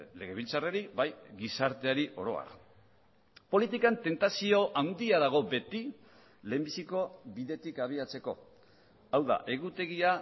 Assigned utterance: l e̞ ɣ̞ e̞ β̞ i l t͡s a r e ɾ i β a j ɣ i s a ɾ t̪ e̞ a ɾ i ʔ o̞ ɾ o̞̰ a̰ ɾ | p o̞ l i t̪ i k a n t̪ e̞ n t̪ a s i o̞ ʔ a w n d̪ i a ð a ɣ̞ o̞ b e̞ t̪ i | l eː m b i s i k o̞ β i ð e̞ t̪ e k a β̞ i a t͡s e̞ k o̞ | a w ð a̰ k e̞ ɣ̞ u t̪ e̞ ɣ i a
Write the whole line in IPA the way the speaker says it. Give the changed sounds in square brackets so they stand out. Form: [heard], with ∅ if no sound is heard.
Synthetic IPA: l e̞ ɣ̞ e̞ β̞ i l t͡s a r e ɾ i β a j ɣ i s a ɾ t̪ e̞ a ɾ i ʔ o̞ ɾ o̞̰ a̰ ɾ | p o̞ l i t̪ i k a n t̪ e̞ n t̪ a s i o̞ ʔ a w n d̪ i a ð a ɣ̞ o̞ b e̞ t̪ i | l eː m b i s i k o̞ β i ð e̞ t̪ [i] k a β̞ i a t͡s e̞ k o̞ | a w ð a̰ [ʔ] e̞ ɣ̞ u t̪ e̞ ɣ i a